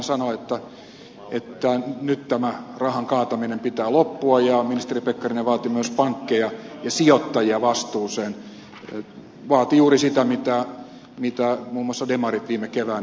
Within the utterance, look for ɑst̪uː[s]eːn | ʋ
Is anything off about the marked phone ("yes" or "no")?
no